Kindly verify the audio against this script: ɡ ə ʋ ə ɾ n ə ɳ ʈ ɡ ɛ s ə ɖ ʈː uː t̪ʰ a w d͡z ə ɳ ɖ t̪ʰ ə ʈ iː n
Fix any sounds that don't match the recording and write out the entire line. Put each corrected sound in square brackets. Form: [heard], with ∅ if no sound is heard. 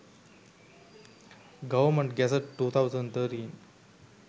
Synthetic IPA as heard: ɡ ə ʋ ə ɾ [m] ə ɳ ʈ ɡ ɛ s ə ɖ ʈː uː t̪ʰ a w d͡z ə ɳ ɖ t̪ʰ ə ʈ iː n